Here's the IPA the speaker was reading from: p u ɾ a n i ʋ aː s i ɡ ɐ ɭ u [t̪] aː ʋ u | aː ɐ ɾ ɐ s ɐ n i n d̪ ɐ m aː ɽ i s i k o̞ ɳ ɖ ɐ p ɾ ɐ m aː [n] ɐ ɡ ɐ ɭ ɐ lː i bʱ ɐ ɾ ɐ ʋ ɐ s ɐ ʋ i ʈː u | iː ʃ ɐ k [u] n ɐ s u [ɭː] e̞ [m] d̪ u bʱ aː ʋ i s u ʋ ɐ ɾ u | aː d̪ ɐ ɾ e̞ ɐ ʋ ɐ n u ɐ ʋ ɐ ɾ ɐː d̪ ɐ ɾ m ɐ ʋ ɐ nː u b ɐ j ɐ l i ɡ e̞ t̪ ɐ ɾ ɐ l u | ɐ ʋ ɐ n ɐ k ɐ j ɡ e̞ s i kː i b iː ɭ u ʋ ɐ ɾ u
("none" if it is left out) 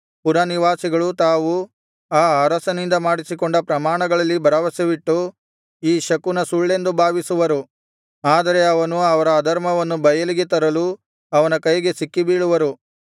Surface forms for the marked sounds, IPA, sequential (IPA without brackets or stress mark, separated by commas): t̪, ɳ, u, ɭː, n